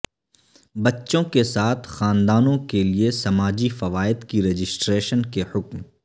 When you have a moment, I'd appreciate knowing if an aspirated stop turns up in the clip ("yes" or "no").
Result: yes